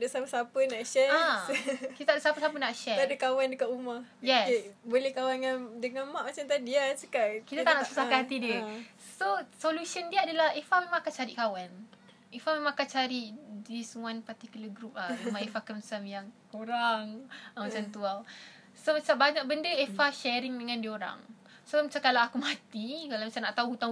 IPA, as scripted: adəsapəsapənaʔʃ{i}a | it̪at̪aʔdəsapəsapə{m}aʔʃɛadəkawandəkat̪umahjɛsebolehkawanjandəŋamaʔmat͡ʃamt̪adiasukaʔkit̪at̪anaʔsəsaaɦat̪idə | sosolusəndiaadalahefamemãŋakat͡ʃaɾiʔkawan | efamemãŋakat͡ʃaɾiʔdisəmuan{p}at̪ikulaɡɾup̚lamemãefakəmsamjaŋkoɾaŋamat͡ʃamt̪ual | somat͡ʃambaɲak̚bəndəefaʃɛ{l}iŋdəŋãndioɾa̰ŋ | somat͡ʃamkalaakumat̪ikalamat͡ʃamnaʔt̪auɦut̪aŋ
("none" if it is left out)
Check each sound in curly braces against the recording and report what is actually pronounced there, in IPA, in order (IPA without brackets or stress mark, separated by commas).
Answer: ɛ, n, p, ɾ